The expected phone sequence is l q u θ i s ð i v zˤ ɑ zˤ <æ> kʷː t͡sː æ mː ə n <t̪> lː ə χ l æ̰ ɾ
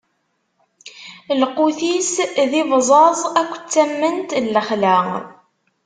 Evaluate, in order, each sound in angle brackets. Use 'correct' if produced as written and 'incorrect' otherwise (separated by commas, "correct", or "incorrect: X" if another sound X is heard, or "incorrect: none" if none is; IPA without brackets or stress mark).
correct, correct